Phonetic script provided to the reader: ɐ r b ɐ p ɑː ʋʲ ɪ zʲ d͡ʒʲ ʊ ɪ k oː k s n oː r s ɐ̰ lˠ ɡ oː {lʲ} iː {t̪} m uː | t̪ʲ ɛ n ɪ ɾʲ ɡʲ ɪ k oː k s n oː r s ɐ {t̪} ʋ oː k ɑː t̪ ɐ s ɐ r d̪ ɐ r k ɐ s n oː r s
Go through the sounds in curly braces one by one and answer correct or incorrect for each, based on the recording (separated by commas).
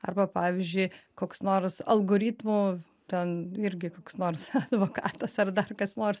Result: incorrect, correct, incorrect